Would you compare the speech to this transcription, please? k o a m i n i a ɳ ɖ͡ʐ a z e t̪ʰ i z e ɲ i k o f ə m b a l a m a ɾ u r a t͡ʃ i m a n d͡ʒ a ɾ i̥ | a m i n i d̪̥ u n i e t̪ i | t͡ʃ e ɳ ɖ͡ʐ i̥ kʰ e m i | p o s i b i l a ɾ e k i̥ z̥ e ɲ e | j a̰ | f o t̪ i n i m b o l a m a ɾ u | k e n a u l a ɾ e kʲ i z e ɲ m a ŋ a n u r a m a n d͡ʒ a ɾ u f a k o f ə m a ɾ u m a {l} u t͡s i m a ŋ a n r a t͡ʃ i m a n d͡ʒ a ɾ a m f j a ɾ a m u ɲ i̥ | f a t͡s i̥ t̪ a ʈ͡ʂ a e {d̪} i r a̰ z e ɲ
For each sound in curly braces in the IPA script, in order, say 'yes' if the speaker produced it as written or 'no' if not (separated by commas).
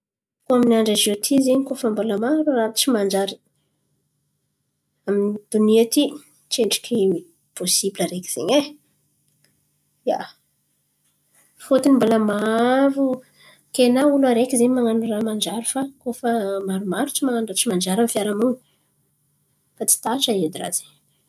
no, yes